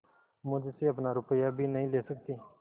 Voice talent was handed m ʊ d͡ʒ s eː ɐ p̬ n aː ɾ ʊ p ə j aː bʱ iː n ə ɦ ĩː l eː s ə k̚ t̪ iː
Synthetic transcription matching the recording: m ʊ d͡ʒ s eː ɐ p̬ n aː ɾ ʊ p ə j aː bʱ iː n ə ɦ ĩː l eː s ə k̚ t̪ iː